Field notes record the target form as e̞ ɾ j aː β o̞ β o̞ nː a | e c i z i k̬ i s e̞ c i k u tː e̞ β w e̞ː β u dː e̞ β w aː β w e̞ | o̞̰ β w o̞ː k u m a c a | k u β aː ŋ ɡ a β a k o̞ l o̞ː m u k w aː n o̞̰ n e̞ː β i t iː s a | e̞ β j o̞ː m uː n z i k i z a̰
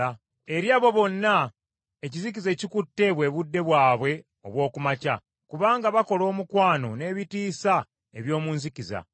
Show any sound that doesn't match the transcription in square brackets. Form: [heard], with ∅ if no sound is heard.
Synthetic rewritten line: e̞ ɾ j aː β o̞ β o̞ nː a | e c i z i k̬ i [z] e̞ c i k u tː e̞ β w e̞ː β u dː e̞ β w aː β w e̞ | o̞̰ β w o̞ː k u m a c a | k u β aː ŋ ɡ a β a k o̞ l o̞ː m u k w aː n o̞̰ n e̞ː β i t iː s a | e̞ β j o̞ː m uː n z i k i z a̰